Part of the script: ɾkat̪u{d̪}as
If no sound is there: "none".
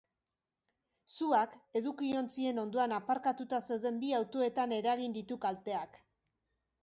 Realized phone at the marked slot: t̪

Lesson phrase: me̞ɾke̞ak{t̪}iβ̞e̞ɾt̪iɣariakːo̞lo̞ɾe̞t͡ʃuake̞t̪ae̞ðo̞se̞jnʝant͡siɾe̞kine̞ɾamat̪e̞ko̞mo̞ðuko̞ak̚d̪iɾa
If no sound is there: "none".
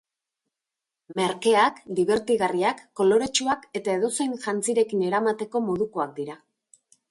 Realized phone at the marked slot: d̪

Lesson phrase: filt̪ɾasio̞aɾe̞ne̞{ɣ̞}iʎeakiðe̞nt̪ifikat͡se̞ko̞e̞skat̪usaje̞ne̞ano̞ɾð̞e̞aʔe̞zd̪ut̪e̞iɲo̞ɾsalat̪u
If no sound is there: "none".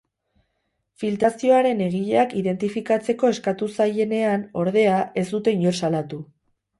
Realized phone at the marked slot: ɣ̞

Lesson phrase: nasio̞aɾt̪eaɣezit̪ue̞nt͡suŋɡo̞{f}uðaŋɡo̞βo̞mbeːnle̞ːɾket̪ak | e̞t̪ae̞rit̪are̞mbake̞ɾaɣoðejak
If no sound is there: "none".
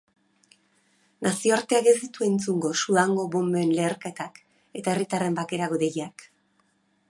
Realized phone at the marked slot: s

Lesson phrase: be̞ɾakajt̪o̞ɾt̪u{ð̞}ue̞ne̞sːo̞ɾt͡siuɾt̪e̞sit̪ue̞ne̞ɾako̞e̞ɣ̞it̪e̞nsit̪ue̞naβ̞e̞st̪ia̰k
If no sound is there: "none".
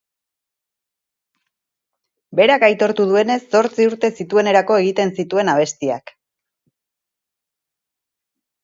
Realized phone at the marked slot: ð̞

